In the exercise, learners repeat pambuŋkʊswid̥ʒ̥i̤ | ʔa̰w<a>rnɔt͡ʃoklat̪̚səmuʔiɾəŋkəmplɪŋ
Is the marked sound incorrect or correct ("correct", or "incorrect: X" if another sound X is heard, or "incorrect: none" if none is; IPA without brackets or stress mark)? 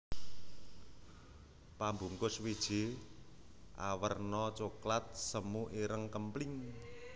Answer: incorrect: ə